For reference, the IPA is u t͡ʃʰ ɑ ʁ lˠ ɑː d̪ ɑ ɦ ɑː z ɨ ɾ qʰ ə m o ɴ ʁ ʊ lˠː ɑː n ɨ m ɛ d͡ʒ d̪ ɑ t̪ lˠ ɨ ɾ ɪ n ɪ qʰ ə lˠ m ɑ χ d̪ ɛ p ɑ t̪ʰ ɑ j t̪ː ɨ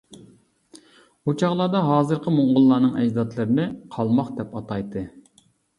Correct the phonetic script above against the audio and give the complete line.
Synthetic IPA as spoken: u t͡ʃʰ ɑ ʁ lˠ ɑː d̪ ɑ ɦ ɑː z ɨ ɾ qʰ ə m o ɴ ʁ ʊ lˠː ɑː n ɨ ŋ ɛ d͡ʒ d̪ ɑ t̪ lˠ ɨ ɾ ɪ n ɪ qʰ ɑ lˠ m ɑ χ d̪ ɛ p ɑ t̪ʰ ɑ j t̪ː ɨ